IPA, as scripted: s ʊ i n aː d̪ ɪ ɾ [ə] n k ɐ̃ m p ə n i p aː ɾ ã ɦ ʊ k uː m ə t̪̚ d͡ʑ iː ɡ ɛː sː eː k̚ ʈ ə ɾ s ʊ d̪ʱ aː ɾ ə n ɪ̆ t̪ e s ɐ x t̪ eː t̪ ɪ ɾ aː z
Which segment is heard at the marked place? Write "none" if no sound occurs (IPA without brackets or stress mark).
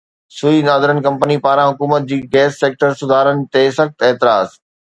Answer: ə